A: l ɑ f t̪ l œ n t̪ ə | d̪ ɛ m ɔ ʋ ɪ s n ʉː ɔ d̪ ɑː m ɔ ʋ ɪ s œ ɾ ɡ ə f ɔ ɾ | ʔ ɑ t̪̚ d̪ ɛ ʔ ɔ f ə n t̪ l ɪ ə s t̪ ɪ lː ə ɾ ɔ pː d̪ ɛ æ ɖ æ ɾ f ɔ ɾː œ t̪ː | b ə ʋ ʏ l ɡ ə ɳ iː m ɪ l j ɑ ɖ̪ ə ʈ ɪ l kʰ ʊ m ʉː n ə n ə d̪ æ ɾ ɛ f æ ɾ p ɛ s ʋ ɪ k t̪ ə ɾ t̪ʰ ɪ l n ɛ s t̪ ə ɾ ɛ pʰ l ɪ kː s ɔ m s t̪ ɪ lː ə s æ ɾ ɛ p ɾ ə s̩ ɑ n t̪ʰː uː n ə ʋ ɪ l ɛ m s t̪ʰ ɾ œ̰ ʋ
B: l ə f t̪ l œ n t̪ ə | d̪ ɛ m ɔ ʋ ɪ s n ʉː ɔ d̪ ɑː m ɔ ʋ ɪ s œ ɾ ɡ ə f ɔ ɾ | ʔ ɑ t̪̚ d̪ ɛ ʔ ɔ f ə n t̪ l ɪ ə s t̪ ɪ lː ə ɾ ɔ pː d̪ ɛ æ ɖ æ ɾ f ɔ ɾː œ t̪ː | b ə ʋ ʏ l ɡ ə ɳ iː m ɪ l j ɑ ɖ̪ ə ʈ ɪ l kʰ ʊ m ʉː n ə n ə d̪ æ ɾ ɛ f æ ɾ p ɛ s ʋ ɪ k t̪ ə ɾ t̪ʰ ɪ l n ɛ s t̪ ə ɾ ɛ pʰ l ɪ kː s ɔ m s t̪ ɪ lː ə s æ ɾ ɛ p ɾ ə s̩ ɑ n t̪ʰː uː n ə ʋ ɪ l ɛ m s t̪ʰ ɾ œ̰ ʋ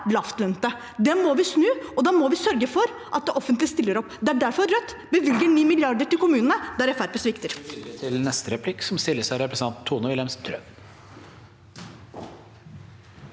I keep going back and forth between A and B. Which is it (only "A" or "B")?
A